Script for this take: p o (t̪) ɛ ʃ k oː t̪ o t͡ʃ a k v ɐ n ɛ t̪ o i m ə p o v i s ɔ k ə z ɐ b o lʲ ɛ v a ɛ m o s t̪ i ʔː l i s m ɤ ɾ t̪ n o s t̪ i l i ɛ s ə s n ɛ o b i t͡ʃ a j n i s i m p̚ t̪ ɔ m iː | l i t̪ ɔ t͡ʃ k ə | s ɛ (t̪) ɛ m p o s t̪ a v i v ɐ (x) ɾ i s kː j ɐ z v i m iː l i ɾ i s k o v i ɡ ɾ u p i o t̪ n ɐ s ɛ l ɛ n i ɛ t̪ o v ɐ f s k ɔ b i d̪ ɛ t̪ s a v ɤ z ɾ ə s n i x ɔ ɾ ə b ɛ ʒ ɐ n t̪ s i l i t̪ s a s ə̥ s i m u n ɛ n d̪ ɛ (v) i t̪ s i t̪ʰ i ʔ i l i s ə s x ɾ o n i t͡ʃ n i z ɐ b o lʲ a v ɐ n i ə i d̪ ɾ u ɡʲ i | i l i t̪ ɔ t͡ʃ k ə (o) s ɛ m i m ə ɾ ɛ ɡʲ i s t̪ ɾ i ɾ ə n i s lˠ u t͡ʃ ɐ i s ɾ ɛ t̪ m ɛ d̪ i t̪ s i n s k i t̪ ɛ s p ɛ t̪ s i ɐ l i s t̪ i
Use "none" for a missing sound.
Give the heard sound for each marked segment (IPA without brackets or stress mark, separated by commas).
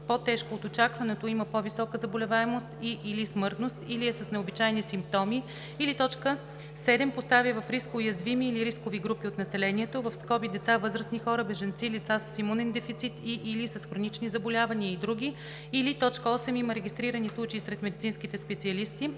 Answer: t̪, d̪, f, f, ɔ